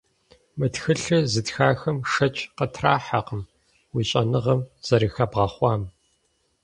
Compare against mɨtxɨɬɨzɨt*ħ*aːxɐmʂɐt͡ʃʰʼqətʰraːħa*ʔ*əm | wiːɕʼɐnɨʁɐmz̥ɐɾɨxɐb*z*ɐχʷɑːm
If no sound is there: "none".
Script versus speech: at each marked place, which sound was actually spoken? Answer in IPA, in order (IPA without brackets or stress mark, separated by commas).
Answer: x, q, ʁ